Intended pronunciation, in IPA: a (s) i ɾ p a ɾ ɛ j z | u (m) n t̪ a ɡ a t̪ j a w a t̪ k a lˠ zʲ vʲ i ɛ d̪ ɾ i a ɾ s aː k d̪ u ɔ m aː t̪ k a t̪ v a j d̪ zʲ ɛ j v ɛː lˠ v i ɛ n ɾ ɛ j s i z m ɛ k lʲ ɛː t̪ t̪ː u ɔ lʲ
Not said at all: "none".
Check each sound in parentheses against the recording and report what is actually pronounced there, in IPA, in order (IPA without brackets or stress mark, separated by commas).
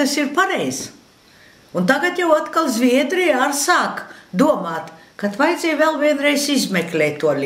s, none